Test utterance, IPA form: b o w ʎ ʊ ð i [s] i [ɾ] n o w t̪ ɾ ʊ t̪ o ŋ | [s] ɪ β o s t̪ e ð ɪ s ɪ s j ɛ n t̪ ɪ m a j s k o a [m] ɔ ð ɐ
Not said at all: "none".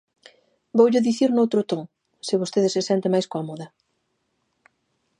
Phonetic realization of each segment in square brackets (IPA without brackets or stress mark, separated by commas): θ, ɾ, s, m